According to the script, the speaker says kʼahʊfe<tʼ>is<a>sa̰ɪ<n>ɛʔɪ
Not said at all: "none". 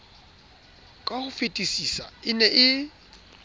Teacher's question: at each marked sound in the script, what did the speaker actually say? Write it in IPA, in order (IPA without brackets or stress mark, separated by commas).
tʼ, i, n